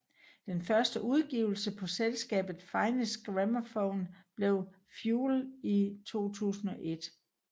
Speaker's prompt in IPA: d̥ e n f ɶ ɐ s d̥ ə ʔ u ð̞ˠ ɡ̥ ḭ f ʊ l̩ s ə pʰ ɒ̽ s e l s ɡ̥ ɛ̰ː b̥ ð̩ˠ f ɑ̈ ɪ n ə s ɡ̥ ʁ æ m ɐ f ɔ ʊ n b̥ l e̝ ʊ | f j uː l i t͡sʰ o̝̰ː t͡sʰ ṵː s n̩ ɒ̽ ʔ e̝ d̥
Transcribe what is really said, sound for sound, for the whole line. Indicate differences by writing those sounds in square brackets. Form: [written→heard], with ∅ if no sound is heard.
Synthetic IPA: d̥ e n f ɶ ɐ s d̥ ə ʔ u ð̞ˠ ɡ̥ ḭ [f→∅] ʊ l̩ s ə pʰ ɒ̽ s e l s ɡ̥ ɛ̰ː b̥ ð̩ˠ f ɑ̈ ɪ n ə s ɡ̥ ʁ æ m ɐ f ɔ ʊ n b̥ l e̝ ʊ | f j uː l i t͡sʰ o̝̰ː t͡sʰ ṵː s n̩ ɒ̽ ʔ e̝ d̥